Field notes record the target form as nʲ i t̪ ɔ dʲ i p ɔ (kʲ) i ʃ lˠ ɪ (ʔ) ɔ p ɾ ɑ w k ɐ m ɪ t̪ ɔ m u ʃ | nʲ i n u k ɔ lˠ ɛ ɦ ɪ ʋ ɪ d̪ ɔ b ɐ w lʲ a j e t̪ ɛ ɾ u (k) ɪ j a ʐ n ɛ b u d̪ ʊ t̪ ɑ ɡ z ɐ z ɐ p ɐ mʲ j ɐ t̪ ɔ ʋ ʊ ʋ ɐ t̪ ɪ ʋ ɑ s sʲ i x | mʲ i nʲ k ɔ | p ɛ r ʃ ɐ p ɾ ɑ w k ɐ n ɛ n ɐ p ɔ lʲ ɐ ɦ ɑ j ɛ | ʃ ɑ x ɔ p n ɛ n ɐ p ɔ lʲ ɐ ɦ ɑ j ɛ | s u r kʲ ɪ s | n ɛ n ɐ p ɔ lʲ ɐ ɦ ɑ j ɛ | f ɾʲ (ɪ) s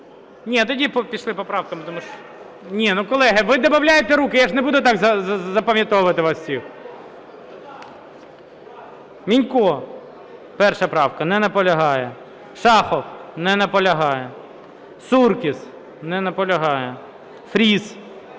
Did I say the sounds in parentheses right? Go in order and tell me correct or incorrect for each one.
incorrect: pʲ, incorrect: p, correct, incorrect: i

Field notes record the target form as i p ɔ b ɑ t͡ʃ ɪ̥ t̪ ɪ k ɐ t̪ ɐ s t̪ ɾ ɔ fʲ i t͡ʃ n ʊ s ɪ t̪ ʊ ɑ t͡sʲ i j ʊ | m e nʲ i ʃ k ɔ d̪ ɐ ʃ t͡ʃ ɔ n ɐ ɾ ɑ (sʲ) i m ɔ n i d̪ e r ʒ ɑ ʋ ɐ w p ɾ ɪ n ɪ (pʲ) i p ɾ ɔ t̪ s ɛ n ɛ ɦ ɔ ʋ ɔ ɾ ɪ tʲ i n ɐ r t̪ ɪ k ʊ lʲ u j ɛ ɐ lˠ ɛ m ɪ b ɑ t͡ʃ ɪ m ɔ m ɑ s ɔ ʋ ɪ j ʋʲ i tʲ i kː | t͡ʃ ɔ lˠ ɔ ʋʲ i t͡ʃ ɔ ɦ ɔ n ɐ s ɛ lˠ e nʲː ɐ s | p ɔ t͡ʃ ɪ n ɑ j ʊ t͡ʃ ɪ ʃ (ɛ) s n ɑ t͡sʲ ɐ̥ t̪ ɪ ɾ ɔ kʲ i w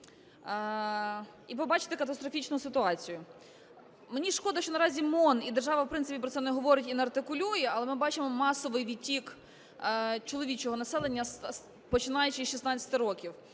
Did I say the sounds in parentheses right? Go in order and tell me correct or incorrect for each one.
incorrect: zʲ, correct, incorrect: i

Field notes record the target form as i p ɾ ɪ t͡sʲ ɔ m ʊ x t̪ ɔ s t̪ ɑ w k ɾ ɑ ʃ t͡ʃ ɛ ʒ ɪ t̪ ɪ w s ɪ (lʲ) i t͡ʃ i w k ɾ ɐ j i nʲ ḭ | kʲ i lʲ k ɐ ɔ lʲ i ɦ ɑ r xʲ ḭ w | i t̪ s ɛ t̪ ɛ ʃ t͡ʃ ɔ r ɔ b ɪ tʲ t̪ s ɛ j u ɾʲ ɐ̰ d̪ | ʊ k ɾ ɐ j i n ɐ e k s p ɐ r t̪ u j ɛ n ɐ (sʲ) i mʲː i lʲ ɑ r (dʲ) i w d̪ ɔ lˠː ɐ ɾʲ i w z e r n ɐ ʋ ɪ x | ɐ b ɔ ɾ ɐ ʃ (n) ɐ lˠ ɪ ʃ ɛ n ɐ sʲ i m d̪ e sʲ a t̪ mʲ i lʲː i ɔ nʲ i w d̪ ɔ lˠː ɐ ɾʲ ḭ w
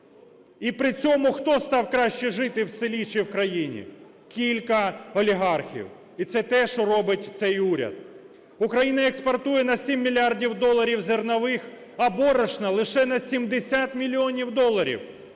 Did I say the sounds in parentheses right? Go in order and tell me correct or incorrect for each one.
correct, correct, correct, correct

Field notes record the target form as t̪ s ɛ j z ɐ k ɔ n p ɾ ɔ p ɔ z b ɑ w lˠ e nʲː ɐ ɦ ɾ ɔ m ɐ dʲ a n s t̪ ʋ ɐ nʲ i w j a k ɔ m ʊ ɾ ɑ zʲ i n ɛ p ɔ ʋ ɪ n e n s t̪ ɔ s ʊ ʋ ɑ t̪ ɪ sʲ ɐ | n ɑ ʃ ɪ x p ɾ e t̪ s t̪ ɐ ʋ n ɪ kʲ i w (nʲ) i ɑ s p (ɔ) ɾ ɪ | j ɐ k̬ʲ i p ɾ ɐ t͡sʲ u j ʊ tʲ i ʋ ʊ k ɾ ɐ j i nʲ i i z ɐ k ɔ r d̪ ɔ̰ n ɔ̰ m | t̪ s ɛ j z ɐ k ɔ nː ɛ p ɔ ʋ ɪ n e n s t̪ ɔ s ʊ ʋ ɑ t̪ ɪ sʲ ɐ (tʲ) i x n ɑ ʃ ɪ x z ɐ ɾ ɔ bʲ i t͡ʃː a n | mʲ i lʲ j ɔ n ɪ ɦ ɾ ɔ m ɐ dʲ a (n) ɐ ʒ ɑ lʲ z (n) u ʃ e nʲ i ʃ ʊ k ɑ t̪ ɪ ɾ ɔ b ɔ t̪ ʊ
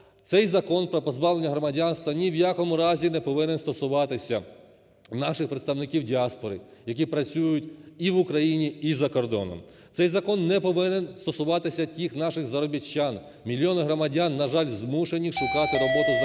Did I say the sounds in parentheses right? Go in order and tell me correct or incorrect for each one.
incorrect: dʲ, correct, correct, incorrect: nː, incorrect: m

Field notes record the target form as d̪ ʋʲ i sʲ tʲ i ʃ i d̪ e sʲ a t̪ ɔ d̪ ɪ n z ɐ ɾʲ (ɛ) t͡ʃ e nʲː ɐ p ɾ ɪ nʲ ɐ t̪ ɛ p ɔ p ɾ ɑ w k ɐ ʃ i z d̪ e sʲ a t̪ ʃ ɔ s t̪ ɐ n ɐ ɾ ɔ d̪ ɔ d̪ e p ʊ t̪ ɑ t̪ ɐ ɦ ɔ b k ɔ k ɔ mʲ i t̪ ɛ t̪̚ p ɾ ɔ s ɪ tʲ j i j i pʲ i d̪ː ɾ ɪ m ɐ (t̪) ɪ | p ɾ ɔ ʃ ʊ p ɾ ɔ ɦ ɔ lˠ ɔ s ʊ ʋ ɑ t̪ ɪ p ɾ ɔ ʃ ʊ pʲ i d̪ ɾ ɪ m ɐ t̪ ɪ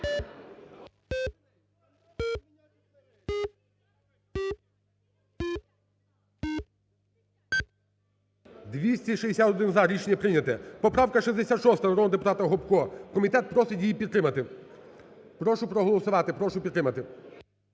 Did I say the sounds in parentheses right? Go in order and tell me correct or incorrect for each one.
incorrect: i, correct

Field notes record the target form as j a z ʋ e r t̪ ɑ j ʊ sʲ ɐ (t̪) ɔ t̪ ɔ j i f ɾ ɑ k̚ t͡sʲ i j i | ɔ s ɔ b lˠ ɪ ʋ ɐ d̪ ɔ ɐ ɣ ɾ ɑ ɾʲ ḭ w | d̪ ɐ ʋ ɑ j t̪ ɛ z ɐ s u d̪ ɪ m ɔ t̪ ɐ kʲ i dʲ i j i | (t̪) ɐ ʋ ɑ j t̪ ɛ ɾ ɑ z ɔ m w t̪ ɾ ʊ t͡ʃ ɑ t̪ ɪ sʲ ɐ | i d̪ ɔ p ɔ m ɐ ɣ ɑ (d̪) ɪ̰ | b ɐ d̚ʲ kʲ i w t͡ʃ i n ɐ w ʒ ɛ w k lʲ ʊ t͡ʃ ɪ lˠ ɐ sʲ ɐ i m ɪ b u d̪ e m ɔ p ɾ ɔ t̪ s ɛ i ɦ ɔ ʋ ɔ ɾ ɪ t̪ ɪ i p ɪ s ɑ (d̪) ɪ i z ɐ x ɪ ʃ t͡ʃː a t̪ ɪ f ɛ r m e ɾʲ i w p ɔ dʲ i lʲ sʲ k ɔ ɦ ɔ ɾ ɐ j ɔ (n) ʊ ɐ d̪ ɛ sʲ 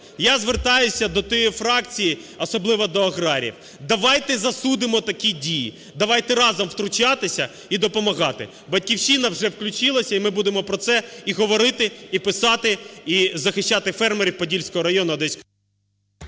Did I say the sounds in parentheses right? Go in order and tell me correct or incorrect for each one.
incorrect: d̪, incorrect: d̪, incorrect: t̪, incorrect: t̪, correct

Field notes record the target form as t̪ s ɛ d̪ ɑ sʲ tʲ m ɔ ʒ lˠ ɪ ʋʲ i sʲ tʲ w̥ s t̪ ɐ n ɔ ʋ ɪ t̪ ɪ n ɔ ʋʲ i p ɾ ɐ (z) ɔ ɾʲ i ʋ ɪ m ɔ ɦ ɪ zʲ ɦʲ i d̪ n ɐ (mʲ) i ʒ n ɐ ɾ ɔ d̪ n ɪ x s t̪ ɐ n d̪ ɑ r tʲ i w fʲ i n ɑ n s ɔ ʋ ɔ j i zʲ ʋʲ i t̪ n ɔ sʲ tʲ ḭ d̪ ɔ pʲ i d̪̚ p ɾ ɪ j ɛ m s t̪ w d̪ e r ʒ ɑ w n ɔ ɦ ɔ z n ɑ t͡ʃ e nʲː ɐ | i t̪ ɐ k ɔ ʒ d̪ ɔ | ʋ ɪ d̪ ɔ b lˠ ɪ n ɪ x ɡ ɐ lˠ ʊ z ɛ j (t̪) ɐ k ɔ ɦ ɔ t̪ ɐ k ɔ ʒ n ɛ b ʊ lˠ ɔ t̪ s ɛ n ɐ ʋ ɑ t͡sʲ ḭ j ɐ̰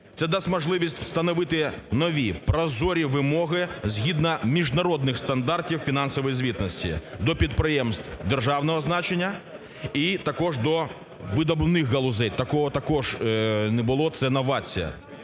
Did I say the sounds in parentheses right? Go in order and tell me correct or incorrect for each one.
correct, correct, correct

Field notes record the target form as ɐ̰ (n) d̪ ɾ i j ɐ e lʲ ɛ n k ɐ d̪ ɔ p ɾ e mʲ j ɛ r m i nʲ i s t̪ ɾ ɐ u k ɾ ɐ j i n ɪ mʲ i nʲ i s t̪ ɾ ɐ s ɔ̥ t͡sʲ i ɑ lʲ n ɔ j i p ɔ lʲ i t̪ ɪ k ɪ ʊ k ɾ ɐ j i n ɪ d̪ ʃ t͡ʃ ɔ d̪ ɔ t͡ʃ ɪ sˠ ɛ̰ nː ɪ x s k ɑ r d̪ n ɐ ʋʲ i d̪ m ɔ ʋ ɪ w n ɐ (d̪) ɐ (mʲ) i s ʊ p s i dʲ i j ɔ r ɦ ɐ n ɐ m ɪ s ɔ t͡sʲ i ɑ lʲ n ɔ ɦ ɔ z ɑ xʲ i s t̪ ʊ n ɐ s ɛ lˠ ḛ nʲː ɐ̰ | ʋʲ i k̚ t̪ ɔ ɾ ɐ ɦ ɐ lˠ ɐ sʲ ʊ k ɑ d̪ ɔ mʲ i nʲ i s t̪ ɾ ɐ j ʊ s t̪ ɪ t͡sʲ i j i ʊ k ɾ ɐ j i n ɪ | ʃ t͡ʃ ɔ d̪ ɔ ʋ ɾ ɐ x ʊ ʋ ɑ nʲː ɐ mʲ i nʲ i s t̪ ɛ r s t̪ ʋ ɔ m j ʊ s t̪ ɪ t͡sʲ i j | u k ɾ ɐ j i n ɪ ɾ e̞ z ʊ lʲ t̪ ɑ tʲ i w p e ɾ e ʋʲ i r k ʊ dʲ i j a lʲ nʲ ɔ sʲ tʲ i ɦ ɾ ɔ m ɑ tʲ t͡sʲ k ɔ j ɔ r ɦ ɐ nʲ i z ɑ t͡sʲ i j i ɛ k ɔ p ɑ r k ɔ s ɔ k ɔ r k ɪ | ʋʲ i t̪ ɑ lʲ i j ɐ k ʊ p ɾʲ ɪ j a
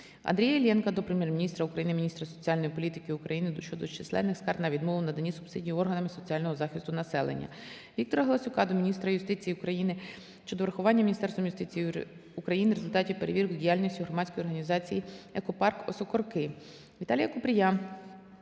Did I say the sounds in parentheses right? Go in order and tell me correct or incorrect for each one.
correct, correct, incorrect: nʲ

